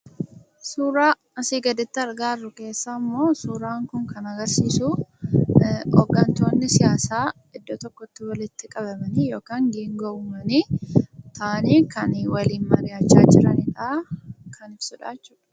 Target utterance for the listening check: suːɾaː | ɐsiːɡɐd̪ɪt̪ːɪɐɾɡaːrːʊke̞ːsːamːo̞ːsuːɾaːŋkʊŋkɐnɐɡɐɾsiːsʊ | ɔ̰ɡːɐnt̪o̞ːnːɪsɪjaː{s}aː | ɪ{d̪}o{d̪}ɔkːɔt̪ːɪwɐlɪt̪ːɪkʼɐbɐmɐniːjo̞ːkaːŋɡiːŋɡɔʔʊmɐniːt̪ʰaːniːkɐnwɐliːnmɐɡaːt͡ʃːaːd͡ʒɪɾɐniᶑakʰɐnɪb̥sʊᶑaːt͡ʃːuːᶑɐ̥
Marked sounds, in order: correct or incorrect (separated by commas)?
correct, incorrect, incorrect